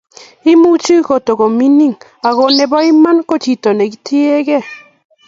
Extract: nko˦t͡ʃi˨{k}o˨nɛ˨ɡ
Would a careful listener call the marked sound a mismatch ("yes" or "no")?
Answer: yes